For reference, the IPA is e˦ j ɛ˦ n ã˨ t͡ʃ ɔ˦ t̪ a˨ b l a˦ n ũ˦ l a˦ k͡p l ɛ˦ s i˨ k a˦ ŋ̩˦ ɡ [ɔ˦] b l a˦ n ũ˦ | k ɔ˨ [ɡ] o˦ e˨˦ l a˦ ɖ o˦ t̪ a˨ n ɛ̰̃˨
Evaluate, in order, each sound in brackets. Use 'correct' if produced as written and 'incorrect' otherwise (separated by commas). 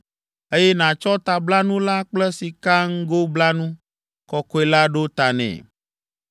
incorrect, incorrect